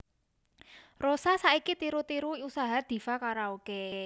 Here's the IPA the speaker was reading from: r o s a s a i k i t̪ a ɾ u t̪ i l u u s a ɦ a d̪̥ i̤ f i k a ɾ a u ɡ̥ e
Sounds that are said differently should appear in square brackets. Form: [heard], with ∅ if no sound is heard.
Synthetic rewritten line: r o s a s a i k i t̪ [i] ɾ u t̪ i [ɾ] u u s a ɦ a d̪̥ i̤ f [a] k a ɾ a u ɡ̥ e